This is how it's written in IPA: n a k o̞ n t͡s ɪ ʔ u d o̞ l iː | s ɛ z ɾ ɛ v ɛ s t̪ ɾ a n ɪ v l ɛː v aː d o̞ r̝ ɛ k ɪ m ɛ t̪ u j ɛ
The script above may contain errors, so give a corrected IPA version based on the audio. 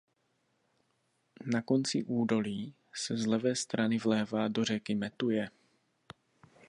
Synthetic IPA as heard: n a k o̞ n t͡s ɪ ʔ uː d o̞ l iː | s ɛ z l ɛ v ɛː s t̪ ɾ a n ɪ v l ɛː v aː d o̞ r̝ ɛ k ɪ m ɛ t̪ u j ɛ